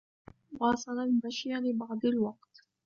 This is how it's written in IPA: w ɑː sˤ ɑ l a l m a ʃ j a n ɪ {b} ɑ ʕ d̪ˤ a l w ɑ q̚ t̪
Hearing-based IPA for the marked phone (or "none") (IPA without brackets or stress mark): b